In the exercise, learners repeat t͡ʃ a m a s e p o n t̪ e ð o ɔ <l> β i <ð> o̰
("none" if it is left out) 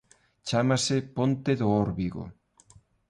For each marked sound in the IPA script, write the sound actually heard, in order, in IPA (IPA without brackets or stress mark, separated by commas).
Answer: ɾ, ɣ